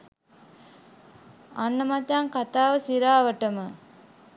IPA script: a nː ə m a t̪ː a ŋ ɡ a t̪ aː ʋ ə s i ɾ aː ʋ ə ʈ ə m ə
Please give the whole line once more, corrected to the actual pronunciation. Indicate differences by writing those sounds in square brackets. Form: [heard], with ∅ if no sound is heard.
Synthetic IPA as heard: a nː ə m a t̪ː a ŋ [k] a t̪ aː ʋ ə s i ɾ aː ʋ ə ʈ ə m ə